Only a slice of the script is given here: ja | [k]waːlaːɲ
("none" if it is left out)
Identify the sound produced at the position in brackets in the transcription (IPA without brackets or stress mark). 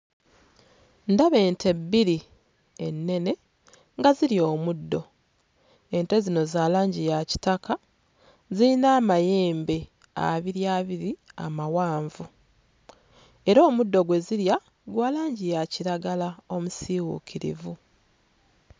ɡ